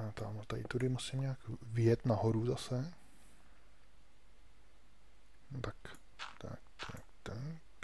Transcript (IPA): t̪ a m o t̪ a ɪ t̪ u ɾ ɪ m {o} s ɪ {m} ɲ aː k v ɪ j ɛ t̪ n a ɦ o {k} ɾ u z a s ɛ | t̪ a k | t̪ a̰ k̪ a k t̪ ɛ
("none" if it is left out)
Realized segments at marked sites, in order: u, m, none

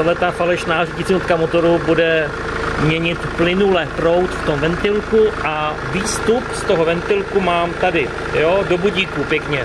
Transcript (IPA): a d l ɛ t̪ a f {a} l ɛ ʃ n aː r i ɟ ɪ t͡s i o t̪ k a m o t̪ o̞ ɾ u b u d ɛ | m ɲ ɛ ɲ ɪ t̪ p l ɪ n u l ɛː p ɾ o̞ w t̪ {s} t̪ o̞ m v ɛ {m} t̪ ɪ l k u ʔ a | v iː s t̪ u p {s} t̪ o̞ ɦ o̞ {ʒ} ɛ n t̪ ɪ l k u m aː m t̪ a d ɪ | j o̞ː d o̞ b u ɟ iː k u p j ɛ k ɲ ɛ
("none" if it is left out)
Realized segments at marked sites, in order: a, f, n, s, v

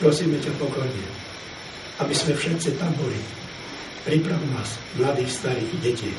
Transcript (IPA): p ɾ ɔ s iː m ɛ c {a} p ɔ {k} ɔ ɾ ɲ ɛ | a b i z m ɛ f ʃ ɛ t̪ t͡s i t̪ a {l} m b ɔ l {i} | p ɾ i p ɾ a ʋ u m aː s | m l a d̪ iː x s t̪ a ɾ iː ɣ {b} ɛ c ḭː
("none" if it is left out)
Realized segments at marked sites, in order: a, k, none, i, ɟ

